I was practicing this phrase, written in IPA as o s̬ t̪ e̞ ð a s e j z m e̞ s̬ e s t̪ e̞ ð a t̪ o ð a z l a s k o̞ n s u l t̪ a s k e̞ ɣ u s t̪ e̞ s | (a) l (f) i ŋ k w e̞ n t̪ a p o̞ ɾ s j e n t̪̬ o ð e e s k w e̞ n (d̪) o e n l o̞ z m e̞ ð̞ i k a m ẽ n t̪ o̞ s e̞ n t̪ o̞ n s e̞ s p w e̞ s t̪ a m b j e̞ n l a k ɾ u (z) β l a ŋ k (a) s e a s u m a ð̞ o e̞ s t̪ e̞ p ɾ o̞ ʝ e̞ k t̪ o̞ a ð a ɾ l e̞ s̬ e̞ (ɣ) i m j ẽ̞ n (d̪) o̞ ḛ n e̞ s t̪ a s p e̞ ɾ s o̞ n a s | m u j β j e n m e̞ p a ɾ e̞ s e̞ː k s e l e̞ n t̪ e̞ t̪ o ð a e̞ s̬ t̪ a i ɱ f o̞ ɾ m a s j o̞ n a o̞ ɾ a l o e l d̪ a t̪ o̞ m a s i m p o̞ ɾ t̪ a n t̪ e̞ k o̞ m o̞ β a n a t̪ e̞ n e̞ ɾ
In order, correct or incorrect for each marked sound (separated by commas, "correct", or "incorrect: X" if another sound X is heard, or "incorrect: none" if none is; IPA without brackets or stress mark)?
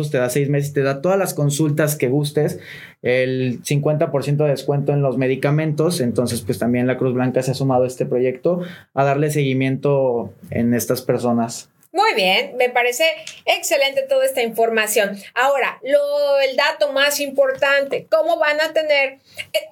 incorrect: e, incorrect: s, incorrect: t̪, correct, correct, correct, incorrect: t̪